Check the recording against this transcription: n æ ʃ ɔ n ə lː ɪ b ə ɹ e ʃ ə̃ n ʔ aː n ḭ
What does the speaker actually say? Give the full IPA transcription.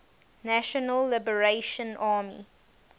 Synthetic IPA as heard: n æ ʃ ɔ n ə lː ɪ b ə ɹ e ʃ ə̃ n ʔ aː m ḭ